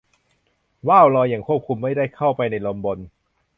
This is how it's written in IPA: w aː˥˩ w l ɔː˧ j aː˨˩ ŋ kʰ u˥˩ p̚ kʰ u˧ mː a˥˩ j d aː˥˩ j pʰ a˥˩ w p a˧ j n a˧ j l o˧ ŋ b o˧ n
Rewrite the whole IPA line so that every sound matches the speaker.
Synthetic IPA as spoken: w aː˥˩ w l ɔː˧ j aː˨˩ ŋ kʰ u˥˩ p̚ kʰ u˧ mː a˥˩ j d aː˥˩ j kʰ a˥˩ w p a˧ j n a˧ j l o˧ m b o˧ n